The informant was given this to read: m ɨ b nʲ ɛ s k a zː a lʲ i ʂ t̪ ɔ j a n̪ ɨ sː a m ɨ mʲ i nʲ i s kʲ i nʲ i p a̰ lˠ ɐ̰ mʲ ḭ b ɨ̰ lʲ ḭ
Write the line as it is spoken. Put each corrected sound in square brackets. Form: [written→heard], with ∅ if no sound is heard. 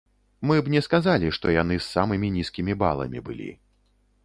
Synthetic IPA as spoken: m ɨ b nʲ ɛ s k a [zː→z] a lʲ i ʂ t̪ ɔ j a n̪ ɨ sː a m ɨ mʲ i nʲ i s kʲ i [nʲ→mʲ] i [p→b] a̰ lˠ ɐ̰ mʲ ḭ b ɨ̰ lʲ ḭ

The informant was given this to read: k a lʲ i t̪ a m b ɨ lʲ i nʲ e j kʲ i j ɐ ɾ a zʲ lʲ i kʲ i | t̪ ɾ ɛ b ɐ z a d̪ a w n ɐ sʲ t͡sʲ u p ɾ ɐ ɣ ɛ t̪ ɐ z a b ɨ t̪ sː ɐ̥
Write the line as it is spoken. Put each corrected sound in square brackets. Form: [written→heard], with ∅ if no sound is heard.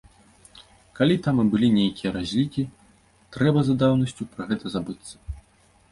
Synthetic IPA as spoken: k a lʲ i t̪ a m b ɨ lʲ i nʲ e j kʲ i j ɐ ɾ a zʲ lʲ i kʲ i | t̪ ɾ ɛ b ɐ z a d̪ a w n ɐ sʲ t͡sʲ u p ɾ ɐ ɣ ɛ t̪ ɐ z a b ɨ t̪ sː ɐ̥

